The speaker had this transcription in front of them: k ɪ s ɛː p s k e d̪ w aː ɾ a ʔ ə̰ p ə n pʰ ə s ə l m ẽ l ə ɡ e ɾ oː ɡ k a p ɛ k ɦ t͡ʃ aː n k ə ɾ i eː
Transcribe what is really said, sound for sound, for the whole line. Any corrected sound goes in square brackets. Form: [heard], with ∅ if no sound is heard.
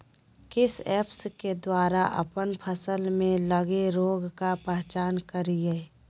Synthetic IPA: k ɪ s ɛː p s k e d̪ w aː ɾ a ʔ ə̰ p ə n pʰ ə s ə l m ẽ l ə ɡ e ɾ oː ɡ k a p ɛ [∅] ɦ t͡ʃ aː n k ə ɾ i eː